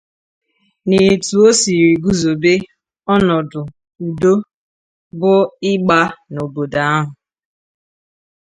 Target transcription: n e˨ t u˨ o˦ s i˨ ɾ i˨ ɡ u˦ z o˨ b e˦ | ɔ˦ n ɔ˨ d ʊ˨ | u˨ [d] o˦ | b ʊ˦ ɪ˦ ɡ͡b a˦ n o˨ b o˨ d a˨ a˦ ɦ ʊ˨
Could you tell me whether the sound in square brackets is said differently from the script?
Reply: no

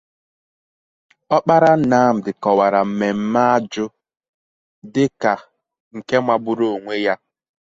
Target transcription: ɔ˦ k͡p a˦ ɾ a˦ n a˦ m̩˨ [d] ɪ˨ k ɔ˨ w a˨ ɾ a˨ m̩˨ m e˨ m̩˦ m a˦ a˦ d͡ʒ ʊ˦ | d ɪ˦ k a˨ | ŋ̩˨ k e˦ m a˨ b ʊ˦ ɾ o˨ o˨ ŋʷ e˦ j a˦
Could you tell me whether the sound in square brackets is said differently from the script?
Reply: no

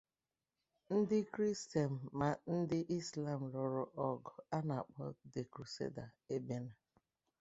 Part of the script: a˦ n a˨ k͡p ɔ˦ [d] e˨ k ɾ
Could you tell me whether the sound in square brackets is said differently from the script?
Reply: no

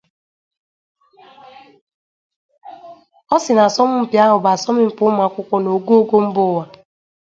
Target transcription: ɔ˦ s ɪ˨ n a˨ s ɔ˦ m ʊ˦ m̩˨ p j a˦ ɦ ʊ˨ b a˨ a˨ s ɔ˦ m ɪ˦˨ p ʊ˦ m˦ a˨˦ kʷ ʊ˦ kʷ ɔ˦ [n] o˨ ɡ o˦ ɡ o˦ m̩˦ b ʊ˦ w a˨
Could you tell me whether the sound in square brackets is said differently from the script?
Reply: no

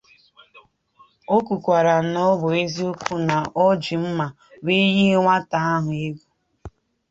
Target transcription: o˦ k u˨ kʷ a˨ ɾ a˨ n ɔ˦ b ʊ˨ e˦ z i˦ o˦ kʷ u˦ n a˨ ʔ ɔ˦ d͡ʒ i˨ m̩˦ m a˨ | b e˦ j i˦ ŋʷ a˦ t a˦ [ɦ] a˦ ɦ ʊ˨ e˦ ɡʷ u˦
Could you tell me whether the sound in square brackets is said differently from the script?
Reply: yes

